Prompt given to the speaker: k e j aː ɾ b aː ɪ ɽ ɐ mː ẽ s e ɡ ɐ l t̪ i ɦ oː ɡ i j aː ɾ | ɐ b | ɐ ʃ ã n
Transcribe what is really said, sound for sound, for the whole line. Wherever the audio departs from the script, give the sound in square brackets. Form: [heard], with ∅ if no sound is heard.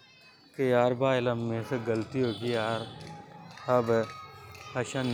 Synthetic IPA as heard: k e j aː ɾ b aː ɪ [l] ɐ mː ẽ s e ɡ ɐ l t̪ i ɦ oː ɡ i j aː ɾ | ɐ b | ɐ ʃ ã n